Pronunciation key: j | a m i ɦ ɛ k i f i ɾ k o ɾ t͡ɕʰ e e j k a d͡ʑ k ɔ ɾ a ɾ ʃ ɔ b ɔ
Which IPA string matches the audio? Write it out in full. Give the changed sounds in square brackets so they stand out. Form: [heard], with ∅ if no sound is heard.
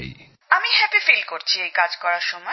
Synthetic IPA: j | a m i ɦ ɛ [p] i f i [l] k o ɾ t͡ɕʰ [i] e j k a d͡ʑ k ɔ ɾ a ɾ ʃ ɔ [m] ɔ